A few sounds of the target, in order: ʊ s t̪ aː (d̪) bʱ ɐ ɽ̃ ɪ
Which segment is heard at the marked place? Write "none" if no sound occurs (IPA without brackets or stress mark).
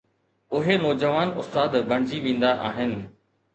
d̪